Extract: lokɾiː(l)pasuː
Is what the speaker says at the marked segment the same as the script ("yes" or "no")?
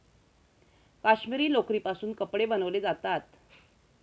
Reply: no